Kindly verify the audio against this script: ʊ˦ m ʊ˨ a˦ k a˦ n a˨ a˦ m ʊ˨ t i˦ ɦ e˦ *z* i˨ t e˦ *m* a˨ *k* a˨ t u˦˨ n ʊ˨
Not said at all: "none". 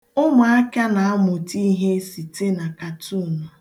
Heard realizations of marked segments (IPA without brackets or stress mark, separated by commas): s, n, k